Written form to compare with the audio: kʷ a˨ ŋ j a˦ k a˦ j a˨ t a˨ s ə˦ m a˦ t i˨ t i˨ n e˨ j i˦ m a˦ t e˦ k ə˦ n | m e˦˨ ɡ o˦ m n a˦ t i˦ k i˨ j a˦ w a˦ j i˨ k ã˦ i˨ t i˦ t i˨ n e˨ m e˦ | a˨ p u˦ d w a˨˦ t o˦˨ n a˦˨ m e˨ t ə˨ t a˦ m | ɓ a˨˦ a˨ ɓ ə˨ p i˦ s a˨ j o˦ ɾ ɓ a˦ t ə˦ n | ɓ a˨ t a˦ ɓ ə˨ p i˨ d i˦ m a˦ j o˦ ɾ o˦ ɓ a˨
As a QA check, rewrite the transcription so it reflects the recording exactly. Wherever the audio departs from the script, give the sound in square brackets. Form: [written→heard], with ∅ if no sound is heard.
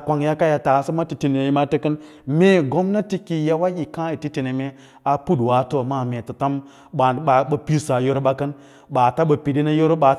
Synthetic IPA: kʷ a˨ ŋ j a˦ k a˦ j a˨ t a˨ s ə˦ m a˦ t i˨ t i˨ n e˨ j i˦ m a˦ t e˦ k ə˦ n | m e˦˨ ɡ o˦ m n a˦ t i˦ k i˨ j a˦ w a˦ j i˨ k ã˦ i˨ t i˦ t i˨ n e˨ m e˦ | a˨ p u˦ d w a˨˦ t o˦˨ [n→m] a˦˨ m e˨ t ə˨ t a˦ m | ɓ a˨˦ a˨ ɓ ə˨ p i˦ s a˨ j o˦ ɾ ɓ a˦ [t→k] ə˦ n | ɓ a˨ t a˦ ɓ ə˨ p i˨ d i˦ [m→n] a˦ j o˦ ɾ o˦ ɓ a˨